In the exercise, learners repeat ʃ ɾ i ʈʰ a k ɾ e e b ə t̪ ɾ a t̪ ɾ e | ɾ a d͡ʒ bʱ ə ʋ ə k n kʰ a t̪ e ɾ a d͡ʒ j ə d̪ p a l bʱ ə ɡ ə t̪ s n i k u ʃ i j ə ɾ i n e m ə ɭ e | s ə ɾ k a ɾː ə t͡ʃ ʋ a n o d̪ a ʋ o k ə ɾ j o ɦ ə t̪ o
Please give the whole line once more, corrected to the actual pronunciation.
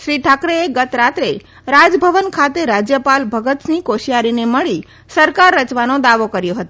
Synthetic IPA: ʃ ɾ i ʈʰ a k ɾ e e ɡ ə t̪ ɾ a t̪ ɾ e | ɾ a d͡ʒ bʱ ə ʋ ə n kʰ a t̪ e ɾ a d͡ʒ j ə p a l bʱ ə ɡ ə t̪ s n i k o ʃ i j a ɾ i n e m ə ɭ i | s ə ɾ k a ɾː ə t͡ʃ ʋ a n o d̪ a ʋ o k ə ɾ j o ɦ ə t̪ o